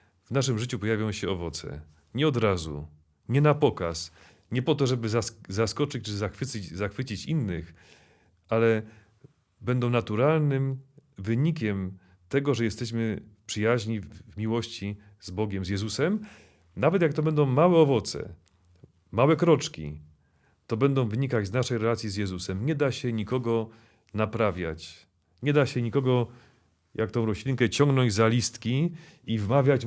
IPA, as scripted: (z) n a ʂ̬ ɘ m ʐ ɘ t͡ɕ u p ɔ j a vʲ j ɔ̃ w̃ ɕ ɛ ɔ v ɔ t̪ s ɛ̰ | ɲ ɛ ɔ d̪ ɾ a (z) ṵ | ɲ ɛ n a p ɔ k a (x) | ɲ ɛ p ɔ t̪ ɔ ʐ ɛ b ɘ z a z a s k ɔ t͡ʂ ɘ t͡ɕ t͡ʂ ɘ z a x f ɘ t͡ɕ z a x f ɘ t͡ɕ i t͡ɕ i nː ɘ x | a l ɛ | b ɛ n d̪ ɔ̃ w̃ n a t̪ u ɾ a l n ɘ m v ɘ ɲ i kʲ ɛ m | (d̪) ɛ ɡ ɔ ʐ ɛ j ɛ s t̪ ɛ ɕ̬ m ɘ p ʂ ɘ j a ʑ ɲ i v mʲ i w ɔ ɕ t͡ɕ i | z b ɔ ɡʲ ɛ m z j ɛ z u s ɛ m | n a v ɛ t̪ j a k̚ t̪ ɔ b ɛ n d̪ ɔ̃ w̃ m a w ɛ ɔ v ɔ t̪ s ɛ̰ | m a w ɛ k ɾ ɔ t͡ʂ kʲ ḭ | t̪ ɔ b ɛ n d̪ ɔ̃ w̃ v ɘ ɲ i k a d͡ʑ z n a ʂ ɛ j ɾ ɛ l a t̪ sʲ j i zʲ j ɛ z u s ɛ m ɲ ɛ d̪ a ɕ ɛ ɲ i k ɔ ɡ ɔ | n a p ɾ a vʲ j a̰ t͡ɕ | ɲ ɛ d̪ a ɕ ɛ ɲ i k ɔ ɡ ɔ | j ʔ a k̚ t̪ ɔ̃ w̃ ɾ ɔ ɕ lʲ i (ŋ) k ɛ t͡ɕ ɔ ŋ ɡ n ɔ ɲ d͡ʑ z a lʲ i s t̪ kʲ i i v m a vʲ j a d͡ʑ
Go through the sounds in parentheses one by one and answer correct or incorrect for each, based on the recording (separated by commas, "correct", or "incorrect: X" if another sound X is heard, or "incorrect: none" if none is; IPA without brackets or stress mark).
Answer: incorrect: v, correct, incorrect: s, incorrect: t̪, correct